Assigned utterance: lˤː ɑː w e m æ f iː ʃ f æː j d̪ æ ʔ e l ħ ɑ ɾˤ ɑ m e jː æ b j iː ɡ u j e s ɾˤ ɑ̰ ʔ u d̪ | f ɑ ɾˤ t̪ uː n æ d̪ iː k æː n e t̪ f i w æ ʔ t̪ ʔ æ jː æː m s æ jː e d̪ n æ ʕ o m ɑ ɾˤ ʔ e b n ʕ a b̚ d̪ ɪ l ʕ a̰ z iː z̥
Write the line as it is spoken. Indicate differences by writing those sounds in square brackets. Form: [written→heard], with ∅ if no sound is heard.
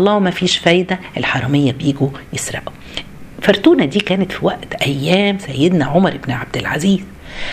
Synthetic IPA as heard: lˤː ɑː w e m æ f iː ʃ f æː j d̪ æ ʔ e l ħ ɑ ɾˤ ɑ m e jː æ b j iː ɡ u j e s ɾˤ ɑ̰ ʔ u [d̪→∅] | f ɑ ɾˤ t̪ uː n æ d̪ iː k æː n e t̪ f i w æ ʔ t̪ ʔ æ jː æː m s æ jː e d̪ n æ ʕ o m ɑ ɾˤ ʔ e b n ʕ a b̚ d̪ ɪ l ʕ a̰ z iː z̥